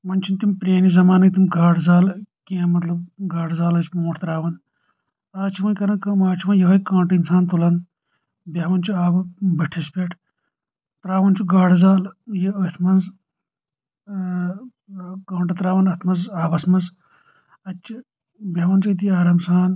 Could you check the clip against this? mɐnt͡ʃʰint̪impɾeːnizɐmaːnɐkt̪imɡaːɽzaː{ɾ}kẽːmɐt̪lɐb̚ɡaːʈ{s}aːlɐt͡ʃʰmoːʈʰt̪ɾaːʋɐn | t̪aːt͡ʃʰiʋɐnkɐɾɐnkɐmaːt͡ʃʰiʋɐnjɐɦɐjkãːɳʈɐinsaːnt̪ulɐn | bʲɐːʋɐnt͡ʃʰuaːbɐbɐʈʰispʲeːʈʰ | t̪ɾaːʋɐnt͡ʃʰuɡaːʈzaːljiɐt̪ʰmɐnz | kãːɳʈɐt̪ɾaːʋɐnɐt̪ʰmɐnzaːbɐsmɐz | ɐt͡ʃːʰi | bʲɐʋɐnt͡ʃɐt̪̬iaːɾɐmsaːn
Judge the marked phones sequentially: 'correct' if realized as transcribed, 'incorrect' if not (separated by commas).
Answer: incorrect, incorrect